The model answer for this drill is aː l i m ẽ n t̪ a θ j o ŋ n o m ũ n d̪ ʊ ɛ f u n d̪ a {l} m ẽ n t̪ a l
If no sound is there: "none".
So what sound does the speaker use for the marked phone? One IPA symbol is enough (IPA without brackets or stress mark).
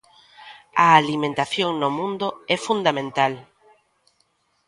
none